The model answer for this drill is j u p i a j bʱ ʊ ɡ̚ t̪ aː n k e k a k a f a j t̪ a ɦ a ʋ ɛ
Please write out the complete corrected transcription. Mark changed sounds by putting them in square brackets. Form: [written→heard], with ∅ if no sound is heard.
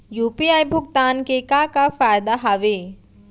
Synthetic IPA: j u p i a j bʱ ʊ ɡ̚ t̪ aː n k e k a k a f a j [t̪→d̪] a ɦ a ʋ [ɛ→e]